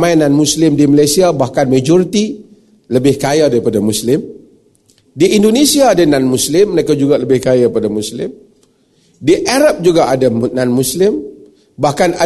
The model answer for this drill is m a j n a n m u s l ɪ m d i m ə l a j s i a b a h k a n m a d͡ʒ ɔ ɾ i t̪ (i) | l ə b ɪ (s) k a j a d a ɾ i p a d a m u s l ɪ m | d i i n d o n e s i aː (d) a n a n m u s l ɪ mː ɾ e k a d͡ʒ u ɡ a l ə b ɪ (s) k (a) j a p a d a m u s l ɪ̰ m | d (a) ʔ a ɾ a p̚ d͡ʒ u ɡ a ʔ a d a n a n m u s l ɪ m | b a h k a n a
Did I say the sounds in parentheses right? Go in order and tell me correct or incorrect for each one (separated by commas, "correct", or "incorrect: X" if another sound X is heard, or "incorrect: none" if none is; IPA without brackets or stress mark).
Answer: correct, incorrect: h, correct, incorrect: h, correct, incorrect: i